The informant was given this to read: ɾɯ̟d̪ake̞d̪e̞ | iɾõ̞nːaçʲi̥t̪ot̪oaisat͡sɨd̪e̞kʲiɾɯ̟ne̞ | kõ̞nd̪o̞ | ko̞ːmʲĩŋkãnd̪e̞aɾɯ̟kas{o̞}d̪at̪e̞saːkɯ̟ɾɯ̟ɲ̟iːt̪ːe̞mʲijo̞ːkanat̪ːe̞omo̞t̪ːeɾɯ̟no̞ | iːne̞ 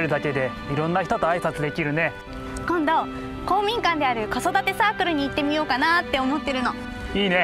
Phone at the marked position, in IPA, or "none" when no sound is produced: o̞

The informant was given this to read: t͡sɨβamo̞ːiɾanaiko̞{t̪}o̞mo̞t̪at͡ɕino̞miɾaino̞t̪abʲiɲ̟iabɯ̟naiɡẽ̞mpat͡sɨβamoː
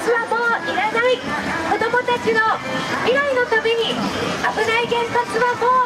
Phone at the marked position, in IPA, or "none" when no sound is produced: d̪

